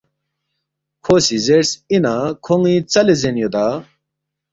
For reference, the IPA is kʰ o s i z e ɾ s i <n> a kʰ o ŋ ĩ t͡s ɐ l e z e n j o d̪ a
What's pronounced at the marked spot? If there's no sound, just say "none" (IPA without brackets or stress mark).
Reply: n